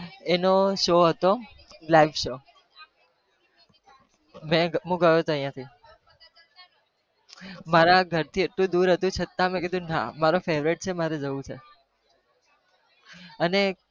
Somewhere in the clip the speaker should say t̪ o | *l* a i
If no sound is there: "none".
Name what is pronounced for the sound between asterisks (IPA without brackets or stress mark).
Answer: l